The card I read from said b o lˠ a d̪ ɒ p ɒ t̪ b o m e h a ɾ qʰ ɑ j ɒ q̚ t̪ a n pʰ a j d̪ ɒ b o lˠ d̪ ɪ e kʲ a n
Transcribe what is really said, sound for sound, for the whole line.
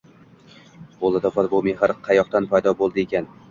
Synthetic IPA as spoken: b o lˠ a d̪ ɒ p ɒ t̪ b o m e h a ɾ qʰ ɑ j ɒ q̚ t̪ a n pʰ a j d̪ ɒ b o lˠ d̪ ɪ e kʲ a n

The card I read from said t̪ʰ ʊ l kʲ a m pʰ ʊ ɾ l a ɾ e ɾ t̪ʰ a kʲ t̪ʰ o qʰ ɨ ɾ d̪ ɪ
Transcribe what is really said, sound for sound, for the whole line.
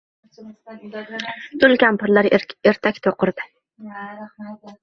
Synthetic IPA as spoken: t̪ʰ ʊ l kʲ a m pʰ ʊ ɾ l a ɾ e ɾ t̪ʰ a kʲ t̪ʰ o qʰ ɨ ɾ d̪ ɪ

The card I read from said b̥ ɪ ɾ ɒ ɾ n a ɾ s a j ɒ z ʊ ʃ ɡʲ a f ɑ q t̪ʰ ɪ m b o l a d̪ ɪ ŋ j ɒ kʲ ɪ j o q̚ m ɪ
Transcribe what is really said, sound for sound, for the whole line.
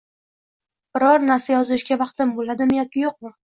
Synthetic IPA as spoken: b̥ ɪ ɾ ɒ ɾ n a ɾ s a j ɒ z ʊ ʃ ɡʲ a v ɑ q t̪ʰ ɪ m b o l a d̪ ɪ m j ɒ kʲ ɪ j o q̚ m ɪ

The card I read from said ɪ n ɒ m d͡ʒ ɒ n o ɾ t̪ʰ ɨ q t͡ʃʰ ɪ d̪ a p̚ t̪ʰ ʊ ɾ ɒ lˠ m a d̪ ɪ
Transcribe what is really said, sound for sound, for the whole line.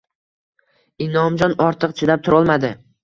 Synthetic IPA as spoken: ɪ n ɒ m d͡ʒ ɒ n ɒ ɾ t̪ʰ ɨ q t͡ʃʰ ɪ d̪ a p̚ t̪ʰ ʊ ɾ ɒ lˠ m a d̪ ɪ

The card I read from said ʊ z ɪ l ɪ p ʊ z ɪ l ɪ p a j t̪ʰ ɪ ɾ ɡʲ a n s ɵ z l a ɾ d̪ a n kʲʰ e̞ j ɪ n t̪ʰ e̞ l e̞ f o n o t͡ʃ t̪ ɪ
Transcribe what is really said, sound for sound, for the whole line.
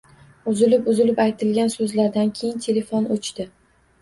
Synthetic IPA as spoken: ʊ z ɪ l ɪ p ʊ z ɪ l ɪ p a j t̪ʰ ɪ l ɡʲ a n s ɵ z l a ɾ d̪ a n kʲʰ e̞ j ɪ n t̪ʰ e̞ l e̞ f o n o t͡ʃ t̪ ɪ

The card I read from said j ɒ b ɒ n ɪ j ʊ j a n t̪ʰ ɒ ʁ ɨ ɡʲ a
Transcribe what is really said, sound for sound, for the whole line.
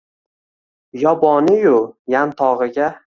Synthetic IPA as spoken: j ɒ b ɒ n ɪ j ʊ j a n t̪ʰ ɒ ʁ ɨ ɡʲ a

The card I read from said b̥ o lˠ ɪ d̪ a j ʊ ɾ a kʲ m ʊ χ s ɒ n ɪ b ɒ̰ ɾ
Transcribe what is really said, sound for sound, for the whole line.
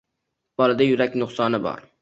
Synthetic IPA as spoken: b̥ ɒ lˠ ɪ d̪ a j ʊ ɾ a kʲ n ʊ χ s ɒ n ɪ b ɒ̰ ɾ

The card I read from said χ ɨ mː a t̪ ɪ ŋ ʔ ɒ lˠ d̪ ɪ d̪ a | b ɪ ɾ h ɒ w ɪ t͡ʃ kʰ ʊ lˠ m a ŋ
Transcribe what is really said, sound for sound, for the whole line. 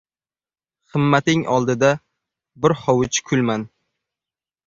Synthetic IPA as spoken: χ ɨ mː a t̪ ɪ ŋ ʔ ɒ lˠ d̪ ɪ d̪ a | b ɪ ɾ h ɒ w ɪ t͡ʃ kʰ ʊ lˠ m a n

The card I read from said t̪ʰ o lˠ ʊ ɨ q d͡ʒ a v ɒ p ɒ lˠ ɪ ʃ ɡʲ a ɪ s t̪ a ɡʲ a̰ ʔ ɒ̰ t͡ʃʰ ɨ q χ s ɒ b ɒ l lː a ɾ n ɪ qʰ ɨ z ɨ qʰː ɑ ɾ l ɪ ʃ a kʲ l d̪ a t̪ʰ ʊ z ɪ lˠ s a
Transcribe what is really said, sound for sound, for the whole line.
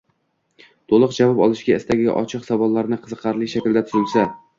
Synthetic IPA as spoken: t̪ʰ o lˠ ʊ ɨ q d͡ʒ a v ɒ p ɒ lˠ ɪ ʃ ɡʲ a ɪ s t̪ a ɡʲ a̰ ʔ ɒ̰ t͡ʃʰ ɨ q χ s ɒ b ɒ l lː a ɾ n ɪ qʰ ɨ z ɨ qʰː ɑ ɾ l ɪ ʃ a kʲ l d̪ a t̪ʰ ʊ z ɪ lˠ s a

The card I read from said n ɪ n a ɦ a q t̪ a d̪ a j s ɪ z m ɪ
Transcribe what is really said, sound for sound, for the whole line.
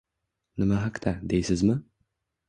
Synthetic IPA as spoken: n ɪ m a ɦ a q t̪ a d̪ e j s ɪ z m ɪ

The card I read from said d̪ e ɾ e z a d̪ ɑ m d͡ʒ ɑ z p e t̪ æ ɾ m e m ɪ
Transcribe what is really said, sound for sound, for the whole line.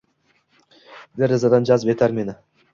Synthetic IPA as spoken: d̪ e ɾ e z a d̪ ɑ n d͡ʒ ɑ z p e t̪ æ ɾ m e n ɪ

